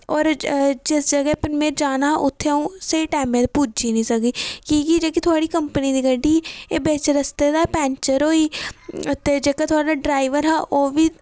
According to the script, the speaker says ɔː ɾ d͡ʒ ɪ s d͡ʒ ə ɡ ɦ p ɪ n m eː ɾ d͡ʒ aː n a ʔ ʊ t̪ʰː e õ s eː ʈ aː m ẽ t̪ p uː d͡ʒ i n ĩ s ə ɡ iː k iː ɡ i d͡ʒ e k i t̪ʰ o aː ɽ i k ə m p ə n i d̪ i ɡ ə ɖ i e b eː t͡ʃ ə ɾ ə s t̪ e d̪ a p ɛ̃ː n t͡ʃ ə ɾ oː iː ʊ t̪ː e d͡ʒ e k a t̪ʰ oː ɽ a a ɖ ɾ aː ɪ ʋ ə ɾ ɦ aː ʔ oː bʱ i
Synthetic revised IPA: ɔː ɾ d͡ʒ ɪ s d͡ʒ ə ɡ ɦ p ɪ n m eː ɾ d͡ʒ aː n a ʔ ʊ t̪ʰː e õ s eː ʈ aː m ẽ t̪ p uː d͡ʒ i n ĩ s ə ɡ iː k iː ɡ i d͡ʒ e k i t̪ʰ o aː ɽ i k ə m p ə n i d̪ i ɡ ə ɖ i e b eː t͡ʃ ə ɾ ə s t̪ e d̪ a p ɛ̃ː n t͡ʃ ə ɾ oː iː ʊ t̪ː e d͡ʒ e k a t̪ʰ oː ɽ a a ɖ ɾ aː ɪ ʋ ə ɾ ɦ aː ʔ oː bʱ i